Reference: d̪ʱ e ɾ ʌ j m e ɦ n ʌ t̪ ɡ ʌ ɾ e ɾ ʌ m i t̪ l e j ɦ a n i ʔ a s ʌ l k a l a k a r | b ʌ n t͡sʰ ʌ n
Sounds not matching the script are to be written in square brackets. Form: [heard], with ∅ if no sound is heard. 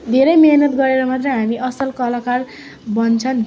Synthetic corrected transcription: d̪ʱ e ɾ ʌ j m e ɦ n ʌ t̪ ɡ ʌ ɾ e ɾ ʌ m [a] t̪ [r] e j ɦ a [m] i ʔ [ʌ] s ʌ l k [ʌ] l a k a r | b ʌ n t͡sʰ ʌ n